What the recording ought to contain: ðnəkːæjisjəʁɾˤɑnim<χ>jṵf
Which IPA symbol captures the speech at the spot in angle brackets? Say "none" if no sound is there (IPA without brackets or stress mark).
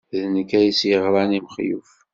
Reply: χ